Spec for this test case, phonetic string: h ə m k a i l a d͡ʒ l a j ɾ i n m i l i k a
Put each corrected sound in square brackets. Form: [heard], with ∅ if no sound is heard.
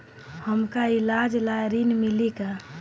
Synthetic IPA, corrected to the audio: h ə m k a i l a d͡ʒ l a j ɾ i n m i l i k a